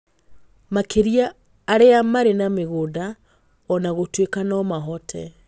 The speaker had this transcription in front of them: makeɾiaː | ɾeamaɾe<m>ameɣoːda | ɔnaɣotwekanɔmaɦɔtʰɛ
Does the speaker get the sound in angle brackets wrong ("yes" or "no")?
yes